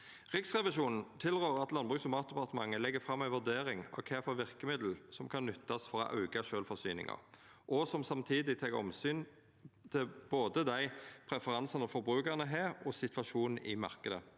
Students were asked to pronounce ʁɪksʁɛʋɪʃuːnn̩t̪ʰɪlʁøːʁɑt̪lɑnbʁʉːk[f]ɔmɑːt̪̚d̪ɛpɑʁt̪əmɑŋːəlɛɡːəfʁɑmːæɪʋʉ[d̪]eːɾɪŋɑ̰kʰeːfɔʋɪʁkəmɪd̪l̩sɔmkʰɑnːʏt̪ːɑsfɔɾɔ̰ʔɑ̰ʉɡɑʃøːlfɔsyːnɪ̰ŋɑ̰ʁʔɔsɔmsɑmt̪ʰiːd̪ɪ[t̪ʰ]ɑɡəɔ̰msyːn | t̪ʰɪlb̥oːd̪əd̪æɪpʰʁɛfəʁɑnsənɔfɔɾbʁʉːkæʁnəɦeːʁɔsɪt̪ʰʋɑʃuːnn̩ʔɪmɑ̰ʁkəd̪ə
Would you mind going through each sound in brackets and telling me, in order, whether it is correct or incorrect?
incorrect, correct, correct

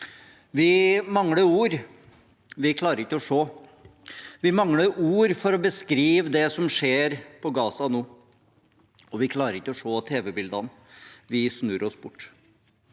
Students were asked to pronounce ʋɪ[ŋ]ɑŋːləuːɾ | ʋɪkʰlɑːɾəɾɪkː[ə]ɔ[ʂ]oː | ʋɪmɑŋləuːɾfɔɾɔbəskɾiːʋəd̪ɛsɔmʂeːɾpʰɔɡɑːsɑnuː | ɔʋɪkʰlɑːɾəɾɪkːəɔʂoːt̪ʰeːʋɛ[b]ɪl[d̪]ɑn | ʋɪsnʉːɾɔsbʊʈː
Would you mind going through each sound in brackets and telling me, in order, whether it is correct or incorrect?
incorrect, correct, correct, correct, correct

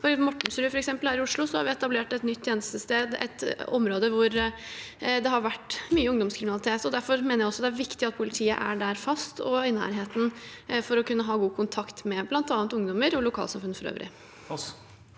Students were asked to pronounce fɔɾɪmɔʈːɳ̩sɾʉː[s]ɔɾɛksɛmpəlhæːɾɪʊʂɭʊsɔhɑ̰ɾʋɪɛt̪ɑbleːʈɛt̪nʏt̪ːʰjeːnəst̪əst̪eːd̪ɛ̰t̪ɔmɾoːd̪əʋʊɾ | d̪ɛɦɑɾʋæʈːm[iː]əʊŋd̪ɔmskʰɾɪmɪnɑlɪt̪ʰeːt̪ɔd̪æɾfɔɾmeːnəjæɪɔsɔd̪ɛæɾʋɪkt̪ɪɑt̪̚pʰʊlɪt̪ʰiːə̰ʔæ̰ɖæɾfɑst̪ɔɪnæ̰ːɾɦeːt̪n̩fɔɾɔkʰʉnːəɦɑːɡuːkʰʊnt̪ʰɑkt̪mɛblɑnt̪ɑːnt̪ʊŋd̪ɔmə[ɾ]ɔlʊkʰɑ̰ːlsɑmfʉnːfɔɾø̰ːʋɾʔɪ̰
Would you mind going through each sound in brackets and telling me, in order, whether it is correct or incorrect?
incorrect, incorrect, correct

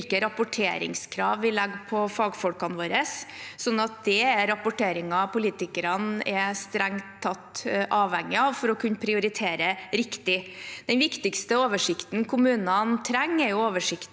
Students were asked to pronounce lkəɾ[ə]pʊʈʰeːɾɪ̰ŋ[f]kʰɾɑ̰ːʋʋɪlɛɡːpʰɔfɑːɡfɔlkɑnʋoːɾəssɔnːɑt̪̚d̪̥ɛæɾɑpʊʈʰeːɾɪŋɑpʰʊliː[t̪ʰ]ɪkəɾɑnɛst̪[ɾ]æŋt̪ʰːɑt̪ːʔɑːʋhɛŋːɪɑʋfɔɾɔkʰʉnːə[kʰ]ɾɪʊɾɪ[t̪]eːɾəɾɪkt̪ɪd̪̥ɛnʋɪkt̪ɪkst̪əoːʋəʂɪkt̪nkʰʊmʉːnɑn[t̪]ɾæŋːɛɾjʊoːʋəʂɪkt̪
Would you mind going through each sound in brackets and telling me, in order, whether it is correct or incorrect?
incorrect, incorrect, incorrect, correct, incorrect, incorrect, incorrect

